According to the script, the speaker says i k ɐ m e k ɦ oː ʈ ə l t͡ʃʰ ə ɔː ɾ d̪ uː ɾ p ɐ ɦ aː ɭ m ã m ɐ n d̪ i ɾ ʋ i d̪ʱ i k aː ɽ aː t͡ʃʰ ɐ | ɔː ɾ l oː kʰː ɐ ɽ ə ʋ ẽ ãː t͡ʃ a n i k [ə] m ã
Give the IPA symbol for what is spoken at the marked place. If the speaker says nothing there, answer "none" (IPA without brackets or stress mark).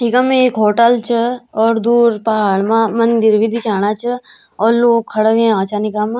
a